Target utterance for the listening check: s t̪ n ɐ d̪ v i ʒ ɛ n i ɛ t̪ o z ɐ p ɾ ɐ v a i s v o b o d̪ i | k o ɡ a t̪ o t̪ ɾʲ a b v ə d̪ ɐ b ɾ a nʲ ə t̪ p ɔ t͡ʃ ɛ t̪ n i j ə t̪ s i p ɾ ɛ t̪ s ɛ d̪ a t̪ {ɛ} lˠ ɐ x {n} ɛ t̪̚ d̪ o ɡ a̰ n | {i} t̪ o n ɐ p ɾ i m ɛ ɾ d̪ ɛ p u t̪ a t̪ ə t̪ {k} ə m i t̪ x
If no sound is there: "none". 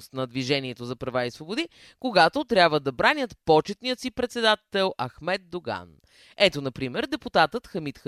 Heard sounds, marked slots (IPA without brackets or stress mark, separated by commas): ɛ, m, ɛ, x